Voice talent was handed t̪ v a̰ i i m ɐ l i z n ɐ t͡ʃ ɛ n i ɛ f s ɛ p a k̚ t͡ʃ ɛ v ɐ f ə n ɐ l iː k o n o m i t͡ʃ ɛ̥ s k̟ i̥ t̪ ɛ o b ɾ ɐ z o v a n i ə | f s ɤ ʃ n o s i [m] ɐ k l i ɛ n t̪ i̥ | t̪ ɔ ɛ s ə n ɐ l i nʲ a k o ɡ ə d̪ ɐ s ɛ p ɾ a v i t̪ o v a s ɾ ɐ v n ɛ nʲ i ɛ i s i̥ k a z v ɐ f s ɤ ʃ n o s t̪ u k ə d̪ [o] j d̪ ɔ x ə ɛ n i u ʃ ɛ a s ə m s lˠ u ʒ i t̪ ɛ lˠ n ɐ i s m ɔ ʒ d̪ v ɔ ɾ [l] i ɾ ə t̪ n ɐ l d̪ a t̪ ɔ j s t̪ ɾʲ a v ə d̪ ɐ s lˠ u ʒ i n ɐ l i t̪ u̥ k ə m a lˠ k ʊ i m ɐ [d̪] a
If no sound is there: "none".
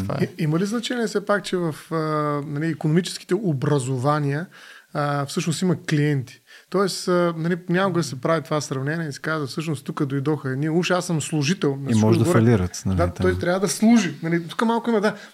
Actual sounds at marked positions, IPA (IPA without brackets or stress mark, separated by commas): m, o, l, d̪